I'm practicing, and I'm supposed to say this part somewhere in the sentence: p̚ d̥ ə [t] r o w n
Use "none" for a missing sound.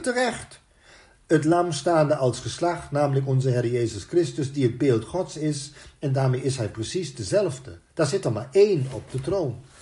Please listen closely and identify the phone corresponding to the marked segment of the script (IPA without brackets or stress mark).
t